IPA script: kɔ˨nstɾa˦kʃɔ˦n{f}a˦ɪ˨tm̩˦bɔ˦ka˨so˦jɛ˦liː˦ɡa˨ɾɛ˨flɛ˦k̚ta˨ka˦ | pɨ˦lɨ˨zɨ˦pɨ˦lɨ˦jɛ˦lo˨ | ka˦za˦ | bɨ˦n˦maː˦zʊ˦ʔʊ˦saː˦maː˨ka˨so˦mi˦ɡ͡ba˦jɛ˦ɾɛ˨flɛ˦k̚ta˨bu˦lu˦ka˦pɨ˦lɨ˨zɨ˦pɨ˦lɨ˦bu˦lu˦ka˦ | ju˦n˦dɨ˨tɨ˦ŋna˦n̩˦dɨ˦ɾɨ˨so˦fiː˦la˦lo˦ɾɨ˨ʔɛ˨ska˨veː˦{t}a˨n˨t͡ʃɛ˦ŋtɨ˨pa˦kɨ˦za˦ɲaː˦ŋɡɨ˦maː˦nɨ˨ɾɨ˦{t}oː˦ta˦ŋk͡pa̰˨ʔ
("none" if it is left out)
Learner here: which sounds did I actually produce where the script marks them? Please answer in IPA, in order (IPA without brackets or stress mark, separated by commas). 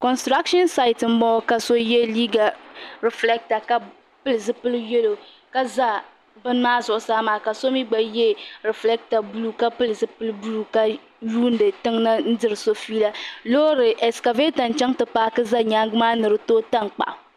s, t, t